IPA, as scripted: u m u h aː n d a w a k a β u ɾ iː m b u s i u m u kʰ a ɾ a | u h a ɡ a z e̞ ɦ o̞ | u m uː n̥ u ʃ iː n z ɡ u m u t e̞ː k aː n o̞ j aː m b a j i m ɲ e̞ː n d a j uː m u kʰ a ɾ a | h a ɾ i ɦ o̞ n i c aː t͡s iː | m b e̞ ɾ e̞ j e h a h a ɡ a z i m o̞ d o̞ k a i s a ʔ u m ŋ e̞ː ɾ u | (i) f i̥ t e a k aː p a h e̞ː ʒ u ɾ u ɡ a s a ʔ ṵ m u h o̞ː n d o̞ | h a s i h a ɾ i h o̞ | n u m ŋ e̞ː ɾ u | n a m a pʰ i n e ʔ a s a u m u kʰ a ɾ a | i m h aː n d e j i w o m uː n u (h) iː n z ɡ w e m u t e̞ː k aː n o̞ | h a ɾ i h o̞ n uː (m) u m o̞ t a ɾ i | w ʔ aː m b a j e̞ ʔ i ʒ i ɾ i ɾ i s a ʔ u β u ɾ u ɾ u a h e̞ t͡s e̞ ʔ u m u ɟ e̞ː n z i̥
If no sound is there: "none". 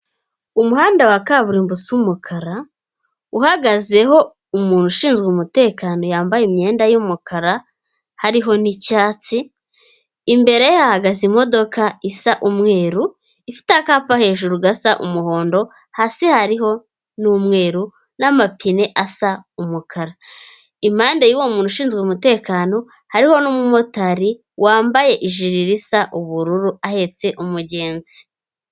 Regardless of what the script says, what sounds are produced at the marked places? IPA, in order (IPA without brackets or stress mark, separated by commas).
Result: i, ʃ, m